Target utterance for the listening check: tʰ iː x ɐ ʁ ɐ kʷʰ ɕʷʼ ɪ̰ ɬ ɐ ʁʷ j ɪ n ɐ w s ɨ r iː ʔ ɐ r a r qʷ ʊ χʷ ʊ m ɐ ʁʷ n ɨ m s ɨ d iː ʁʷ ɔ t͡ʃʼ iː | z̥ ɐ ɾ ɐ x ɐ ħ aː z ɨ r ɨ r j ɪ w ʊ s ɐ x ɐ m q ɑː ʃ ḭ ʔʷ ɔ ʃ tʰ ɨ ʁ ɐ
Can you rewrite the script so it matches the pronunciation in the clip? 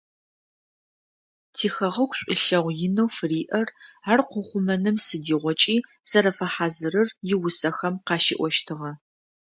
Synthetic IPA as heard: tʰ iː x ɐ ʁ ɐ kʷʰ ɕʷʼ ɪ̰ ɬ ɐ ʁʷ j ɪ n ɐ w f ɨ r iː ʔ ɐ r a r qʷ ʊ χʷ ʊ m ɐ n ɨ m s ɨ d iː ʁʷ ɔ t͡ʃʼ iː | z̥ ɐ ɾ ɐ f ɐ ħ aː z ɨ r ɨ r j ɪ w ʊ s ɐ x ɐ m q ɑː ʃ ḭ ʔʷ ɔ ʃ tʰ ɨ ʁ ɐ